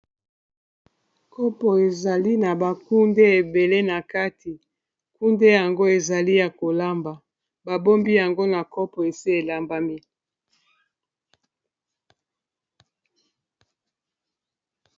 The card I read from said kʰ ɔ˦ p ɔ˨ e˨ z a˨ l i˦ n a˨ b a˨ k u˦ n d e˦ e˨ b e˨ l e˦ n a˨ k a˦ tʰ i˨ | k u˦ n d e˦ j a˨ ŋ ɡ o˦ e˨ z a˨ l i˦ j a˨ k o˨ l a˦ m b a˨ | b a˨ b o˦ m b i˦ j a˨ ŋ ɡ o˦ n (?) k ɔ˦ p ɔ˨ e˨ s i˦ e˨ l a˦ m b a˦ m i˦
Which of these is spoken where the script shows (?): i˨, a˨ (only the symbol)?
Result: a˨